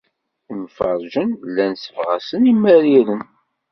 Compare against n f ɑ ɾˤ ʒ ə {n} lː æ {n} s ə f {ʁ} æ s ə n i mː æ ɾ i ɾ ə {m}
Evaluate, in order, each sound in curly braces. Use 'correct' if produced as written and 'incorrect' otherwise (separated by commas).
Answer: correct, correct, correct, incorrect